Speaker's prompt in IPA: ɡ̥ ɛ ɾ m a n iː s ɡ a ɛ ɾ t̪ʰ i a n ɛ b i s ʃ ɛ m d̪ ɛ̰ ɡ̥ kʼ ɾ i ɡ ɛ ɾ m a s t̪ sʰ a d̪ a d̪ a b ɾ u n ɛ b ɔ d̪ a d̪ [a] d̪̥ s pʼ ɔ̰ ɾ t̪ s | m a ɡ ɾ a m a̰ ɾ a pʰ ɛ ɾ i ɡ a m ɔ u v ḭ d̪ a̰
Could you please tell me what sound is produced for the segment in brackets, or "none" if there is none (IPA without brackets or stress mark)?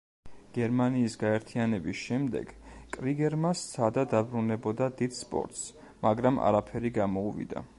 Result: i